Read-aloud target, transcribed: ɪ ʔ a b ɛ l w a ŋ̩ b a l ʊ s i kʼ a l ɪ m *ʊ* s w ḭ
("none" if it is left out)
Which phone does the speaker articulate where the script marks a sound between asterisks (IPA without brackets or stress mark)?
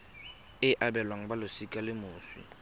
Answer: ʊː